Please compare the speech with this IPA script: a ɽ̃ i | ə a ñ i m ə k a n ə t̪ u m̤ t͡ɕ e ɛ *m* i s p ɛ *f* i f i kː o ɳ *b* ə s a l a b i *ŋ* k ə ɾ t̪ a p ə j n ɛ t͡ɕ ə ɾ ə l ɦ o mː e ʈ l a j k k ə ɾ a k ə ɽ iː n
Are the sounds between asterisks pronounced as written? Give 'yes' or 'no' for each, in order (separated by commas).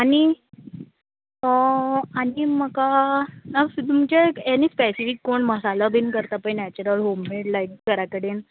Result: no, no, no, no